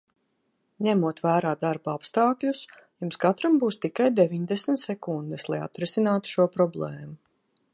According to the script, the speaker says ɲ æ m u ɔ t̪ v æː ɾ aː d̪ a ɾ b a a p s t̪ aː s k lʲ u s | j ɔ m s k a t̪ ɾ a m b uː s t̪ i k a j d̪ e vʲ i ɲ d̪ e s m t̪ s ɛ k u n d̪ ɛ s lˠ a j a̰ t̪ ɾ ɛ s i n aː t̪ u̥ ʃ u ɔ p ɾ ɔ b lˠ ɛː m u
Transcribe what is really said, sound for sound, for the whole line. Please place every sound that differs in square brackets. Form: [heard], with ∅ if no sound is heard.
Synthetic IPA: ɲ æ m u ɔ t̪ v æː ɾ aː d̪ a ɾ b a a p s t̪ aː [∅] k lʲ u s | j [u] m s k a t̪ ɾ a m b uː s t̪ i k a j d̪ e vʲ i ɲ d̪ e s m t̪ s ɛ k u n d̪ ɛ s lˠ a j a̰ t̪ ɾ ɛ s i n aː t̪ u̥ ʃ u ɔ p ɾ ɔ b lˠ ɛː m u